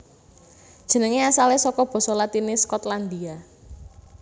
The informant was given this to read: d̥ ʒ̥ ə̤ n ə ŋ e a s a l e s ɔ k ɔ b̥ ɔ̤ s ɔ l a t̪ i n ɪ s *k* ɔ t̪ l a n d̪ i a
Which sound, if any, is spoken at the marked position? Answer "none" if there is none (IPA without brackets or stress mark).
k